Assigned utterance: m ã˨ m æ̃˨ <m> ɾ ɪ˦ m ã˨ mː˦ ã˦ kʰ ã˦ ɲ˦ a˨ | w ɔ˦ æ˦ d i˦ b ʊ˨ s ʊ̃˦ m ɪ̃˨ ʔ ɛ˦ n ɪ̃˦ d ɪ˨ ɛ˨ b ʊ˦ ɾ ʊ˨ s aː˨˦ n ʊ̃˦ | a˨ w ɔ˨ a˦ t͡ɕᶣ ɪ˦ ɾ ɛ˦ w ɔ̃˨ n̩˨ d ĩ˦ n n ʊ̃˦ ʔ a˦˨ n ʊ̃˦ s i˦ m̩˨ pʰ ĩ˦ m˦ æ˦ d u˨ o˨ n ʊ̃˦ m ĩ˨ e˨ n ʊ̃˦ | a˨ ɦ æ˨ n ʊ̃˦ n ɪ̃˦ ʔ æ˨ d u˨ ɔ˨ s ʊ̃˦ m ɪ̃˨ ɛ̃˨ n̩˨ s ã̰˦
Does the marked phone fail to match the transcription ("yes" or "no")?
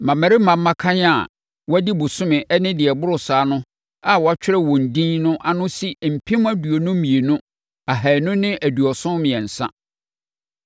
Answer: yes